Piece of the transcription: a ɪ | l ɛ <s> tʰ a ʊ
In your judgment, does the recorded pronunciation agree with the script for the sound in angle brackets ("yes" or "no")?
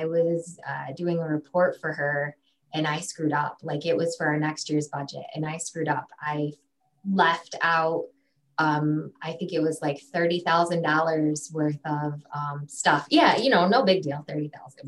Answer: no